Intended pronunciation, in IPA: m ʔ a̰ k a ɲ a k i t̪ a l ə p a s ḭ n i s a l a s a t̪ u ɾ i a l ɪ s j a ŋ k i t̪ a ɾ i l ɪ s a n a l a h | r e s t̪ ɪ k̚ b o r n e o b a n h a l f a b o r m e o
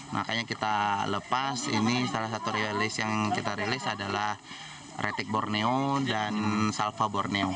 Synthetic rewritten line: m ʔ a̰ k a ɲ a k i t̪ a l ə p a s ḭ n i s a l a s a t̪ u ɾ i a l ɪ s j a ŋ k i t̪ a ɾ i l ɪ s a d a l a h | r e t̪ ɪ k̚ b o r n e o d a n s a l f a b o r n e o